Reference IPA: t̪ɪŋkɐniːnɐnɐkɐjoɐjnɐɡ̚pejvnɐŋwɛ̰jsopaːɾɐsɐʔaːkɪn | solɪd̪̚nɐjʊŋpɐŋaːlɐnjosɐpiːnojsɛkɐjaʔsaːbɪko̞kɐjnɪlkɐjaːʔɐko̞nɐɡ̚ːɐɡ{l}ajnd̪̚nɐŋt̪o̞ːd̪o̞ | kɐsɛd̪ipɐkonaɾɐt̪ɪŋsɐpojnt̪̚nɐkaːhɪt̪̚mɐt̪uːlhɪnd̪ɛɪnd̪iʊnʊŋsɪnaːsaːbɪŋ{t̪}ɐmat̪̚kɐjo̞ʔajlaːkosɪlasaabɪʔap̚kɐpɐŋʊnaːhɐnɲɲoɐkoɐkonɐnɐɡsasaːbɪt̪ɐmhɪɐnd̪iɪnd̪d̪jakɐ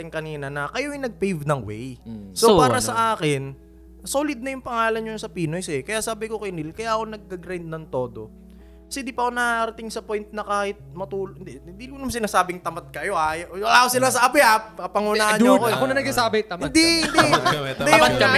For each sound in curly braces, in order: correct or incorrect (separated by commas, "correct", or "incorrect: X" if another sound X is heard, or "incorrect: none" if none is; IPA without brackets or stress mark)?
incorrect: ɾ, correct